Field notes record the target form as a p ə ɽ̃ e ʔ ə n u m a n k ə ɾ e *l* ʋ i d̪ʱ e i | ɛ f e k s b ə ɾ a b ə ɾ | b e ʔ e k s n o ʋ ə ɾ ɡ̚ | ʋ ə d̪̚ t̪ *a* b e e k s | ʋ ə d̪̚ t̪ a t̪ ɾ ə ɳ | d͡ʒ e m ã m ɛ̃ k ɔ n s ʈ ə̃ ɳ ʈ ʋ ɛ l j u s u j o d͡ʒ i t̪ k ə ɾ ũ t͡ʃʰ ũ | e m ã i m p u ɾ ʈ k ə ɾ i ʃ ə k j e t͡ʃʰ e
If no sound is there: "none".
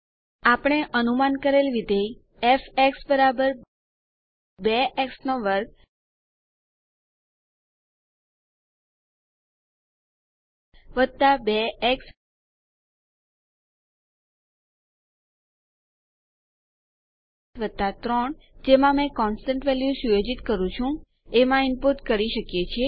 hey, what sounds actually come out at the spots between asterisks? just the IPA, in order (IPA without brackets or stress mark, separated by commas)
l, a